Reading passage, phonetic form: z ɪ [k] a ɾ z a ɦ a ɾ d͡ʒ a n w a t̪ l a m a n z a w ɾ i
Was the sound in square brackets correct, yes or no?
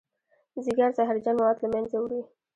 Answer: no